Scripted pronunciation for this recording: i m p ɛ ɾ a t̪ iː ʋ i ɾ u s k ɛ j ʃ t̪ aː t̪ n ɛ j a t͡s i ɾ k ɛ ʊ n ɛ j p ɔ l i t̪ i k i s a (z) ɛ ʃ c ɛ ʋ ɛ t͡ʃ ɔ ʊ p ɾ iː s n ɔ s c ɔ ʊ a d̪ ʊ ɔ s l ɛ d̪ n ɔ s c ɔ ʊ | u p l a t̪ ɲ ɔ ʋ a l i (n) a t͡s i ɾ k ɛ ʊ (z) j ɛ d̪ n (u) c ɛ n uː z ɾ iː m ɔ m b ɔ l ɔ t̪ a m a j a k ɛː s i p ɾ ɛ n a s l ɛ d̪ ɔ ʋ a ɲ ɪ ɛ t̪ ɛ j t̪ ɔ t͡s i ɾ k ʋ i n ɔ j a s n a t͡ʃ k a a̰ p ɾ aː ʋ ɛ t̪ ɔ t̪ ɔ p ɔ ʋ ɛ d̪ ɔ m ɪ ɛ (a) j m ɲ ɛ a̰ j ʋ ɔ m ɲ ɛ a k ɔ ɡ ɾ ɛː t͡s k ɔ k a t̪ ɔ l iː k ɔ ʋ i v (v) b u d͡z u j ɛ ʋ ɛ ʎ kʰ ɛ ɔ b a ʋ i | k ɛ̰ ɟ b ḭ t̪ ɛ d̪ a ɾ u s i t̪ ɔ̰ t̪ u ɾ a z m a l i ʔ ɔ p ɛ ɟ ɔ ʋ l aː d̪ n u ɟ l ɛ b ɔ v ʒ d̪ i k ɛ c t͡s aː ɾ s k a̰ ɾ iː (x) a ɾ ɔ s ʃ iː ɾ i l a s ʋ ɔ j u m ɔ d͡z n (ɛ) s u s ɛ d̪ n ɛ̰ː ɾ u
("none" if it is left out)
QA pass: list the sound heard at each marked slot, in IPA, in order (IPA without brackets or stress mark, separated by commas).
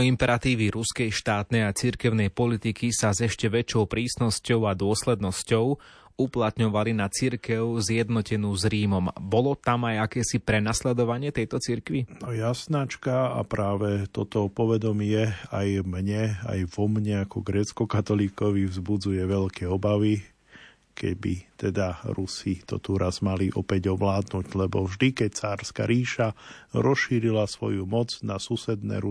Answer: z, n, z, ɔ, a, z, ʃ, a